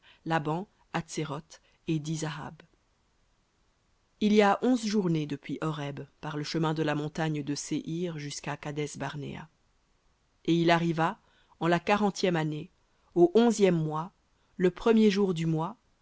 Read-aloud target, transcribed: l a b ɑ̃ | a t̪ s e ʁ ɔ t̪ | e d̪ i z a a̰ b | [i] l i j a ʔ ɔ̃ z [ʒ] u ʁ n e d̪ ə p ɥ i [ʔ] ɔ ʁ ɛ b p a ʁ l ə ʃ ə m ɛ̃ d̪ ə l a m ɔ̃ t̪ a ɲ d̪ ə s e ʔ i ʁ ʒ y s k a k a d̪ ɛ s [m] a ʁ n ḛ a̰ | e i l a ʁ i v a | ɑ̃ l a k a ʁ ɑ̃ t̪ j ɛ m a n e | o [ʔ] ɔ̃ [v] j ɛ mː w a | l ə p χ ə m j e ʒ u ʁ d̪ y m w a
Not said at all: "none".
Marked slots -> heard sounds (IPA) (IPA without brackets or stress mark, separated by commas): i, ʒ, ʔ, b, ʔ, z